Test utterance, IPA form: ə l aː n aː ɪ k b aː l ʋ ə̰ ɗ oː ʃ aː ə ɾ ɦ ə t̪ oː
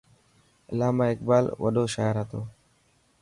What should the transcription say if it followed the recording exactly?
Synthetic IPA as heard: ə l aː m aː ɪ k b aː l ʋ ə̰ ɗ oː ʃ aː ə ɾ ɦ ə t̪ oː